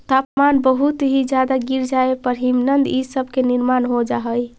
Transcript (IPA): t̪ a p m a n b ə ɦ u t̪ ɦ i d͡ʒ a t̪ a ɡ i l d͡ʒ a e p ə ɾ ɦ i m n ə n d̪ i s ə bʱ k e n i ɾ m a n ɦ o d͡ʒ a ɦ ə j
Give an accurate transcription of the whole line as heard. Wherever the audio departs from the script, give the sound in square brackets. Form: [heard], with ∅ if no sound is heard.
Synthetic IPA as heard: t̪ a p m a n b ə ɦ u t̪ ɦ i d͡ʒ a [d̪] a ɡ i [ɾ] d͡ʒ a e p ə ɾ ɦ i m n ə n d̪ i s ə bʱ k e n i ɾ m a n ɦ o d͡ʒ a ɦ ə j

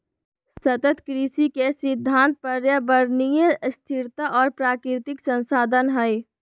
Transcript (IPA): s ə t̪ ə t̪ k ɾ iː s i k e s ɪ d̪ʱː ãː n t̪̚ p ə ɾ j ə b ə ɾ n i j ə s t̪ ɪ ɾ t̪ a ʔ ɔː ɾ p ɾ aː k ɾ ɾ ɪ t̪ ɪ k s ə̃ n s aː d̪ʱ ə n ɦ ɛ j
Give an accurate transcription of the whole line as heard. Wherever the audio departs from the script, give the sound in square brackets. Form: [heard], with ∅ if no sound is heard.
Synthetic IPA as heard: s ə t̪ ə t̪ k ɾ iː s i k e s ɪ d̪ʱː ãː n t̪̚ p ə ɾ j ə b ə ɾ n i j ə s [t̪ʰ] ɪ ɾ t̪ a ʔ ɔː ɾ p ɾ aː k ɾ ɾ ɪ t̪ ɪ k s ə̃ n s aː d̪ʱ ə n ɦ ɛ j

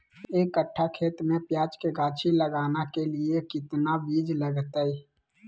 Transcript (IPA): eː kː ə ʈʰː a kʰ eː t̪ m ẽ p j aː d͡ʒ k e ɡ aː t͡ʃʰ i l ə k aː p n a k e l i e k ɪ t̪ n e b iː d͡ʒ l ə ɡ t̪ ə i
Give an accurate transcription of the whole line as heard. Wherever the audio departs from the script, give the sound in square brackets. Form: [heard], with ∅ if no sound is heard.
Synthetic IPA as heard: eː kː ə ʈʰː a kʰ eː t̪ m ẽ p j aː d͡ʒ k e ɡ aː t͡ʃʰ i l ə [ɡ] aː [∅] n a k e l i e k ɪ t̪ n [a] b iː d͡ʒ l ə ɡ t̪ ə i

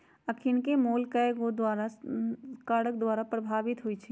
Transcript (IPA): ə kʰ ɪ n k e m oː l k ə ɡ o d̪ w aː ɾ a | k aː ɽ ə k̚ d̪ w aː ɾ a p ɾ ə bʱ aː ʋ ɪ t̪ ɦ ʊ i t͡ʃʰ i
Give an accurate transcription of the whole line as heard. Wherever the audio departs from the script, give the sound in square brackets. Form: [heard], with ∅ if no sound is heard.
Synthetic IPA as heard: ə kʰ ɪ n k e m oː l k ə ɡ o d̪ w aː ɾ a | k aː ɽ ə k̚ d̪ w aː ɾ a p ɾ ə bʱ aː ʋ ɪ t̪ ɦ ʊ i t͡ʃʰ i

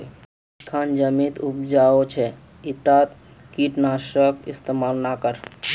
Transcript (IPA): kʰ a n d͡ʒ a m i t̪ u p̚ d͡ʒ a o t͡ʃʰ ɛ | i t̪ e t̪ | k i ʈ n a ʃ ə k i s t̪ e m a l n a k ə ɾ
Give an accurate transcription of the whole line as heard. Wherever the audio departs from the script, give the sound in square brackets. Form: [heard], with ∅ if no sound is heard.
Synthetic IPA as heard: kʰ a n d͡ʒ [ə] m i t̪ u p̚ d͡ʒ a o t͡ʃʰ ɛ | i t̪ [a] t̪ | k i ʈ n a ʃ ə k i s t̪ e m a l n a k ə ɾ

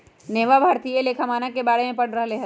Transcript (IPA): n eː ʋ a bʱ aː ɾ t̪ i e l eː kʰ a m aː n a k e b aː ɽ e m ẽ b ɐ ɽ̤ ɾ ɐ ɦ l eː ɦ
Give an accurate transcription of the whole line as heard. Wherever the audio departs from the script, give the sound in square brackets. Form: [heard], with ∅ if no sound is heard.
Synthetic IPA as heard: n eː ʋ a bʱ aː ɾ t̪ i e l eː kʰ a m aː n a k e b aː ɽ e m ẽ [p] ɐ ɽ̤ ɾ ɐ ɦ l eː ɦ

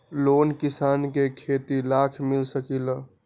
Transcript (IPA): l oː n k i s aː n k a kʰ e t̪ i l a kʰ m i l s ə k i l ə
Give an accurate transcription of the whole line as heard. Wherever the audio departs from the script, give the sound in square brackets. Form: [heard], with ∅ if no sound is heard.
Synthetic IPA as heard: l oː n k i s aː n k [e] kʰ e t̪ i l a kʰ m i l s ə k i l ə

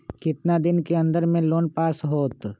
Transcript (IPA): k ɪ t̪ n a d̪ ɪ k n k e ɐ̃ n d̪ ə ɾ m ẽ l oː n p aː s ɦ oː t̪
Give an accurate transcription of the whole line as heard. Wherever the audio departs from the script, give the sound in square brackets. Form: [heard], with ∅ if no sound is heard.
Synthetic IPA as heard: k ɪ t̪ n a d̪ ɪ [∅] n k e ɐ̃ n d̪ ə ɾ m ẽ l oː n p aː s ɦ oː t̪

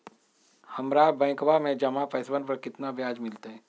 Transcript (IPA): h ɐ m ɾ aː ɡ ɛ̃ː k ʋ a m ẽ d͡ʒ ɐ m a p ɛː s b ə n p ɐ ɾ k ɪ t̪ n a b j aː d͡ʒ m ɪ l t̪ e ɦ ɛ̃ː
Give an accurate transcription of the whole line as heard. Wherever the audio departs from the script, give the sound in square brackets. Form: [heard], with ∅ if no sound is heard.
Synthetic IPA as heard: h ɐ m ɾ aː [b] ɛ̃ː k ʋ a m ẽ d͡ʒ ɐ m a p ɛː s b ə n p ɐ ɾ k ɪ t̪ n a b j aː d͡ʒ m ɪ l t̪ e ɦ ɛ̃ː

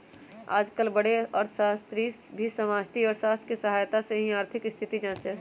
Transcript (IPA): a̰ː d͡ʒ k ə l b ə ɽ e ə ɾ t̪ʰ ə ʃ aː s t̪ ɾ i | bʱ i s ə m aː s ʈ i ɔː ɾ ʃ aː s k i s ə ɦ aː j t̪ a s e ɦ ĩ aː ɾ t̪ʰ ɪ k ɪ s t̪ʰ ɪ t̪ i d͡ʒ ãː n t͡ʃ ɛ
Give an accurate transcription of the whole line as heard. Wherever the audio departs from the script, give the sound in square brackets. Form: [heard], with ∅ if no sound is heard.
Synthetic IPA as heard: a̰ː d͡ʒ k ə l b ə ɽ e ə ɾ t̪ʰ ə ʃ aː s t̪ ɾ i | bʱ i s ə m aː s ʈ i ɔː ɾ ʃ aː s k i s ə ɦ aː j t̪ a s e ɦ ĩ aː ɾ t̪ʰ ɪ k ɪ s t̪ʰ ɪ t̪ i d͡ʒ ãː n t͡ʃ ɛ

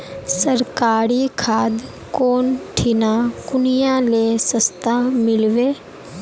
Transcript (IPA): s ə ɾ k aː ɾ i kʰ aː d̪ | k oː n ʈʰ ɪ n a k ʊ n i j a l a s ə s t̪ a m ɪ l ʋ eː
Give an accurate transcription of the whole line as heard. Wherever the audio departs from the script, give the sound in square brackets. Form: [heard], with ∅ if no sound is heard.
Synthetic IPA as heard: s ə ɾ k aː ɾ i kʰ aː d̪ | k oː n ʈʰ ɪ n a k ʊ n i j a l [e] s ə s t̪ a m ɪ l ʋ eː

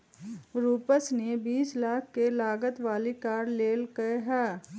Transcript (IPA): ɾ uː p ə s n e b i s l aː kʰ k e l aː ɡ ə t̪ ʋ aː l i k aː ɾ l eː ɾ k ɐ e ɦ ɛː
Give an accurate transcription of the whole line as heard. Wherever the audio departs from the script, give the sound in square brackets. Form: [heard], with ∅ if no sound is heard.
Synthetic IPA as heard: ɾ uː p ə s n e b [iː] s l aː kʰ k e l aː ɡ ə t̪ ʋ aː l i k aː ɾ l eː [l] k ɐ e ɦ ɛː

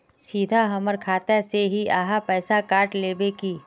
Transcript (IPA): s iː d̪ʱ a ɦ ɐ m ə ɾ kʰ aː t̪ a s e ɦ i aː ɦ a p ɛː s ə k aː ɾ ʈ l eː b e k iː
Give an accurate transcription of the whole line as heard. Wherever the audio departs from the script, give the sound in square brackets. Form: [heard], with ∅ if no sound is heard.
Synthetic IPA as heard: s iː d̪ʱ a ɦ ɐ m ə ɾ kʰ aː t̪ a s e ɦ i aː ɦ a p ɛː s [a] k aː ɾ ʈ l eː b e k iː

